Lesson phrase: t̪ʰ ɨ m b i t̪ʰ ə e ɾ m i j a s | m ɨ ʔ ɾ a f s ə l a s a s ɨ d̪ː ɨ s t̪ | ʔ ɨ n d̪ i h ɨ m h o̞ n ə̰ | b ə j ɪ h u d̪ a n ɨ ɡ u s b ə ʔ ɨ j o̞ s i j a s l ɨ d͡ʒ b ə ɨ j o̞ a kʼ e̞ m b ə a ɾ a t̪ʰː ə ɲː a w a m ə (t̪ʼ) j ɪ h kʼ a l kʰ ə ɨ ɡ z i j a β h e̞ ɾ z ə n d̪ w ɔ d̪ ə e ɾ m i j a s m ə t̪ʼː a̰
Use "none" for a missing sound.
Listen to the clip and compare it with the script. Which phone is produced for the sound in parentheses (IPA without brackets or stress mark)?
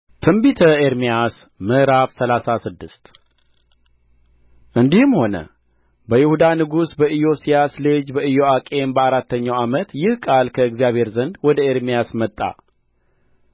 t̪